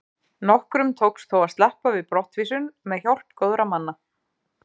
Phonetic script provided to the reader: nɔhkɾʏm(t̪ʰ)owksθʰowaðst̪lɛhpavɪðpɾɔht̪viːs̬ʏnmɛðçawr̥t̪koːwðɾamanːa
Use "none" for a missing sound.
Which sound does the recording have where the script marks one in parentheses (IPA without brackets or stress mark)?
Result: t̪ʰ